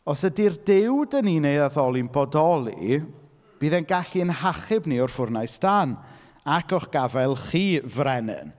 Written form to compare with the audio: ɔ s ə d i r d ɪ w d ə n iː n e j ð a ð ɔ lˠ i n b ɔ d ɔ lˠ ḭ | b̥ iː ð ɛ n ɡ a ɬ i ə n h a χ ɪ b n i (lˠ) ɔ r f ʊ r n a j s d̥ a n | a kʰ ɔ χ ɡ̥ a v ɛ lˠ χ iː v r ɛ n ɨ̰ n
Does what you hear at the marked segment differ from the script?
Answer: yes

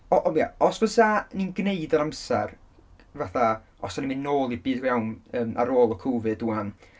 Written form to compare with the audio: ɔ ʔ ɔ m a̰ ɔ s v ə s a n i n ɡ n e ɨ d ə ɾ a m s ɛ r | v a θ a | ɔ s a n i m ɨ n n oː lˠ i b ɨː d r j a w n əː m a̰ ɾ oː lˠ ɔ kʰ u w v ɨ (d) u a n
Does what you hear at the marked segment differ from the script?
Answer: no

